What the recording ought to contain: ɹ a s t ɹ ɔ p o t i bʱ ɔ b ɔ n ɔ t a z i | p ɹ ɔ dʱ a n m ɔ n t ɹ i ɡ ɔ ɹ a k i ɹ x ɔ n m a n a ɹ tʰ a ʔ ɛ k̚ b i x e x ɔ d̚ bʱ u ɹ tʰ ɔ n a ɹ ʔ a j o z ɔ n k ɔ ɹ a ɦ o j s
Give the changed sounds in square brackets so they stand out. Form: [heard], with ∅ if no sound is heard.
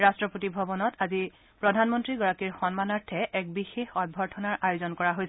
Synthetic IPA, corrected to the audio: ɹ a s t ɹ ɔ p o t i bʱ ɔ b ɔ n ɔ t a z i | p ɹ ɔ dʱ a n m ɔ n t ɹ i ɡ ɔ ɹ a k i ɹ x ɔ n m a n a ɹ tʰ [ɛ] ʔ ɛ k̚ b i x e x ɔ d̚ bʱ [ɔ] ɹ tʰ ɔ n a ɹ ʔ a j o z ɔ n k ɔ ɹ a ɦ o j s